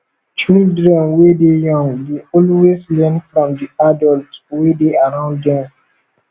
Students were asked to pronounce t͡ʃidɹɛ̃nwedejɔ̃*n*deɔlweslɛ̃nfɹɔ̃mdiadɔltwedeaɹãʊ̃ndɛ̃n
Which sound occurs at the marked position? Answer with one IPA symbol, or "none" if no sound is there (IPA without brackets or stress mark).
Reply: ŋ